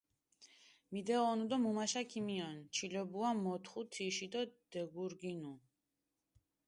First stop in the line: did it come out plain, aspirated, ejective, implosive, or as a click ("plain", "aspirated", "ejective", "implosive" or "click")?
plain